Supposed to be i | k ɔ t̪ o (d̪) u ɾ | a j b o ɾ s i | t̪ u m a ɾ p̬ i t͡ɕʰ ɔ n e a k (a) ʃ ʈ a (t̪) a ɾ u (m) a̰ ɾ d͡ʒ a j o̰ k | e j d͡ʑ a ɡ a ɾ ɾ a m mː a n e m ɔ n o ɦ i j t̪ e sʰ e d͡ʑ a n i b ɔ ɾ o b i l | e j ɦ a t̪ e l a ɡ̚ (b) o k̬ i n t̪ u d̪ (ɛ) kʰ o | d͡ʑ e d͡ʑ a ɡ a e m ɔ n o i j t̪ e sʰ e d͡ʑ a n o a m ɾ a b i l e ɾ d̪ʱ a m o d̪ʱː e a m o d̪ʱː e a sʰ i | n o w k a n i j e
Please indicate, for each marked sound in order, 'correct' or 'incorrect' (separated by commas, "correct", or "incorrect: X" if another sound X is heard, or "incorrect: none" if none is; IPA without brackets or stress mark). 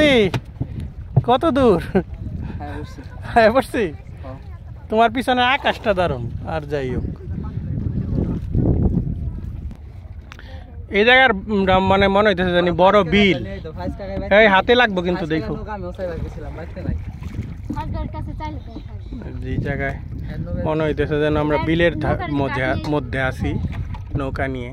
correct, correct, incorrect: d̪, incorrect: n, correct, incorrect: e